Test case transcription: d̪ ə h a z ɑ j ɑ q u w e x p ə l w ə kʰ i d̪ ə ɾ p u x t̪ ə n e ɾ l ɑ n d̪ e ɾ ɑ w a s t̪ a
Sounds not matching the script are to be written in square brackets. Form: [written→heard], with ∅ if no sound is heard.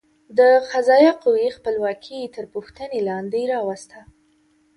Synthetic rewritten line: d̪ ə [h→x] a z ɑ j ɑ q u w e x p ə l w [ə→ɑ] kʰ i [d̪→t̪] ə ɾ p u x t̪ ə n e [ɾ→∅] l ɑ n d̪ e ɾ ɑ w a s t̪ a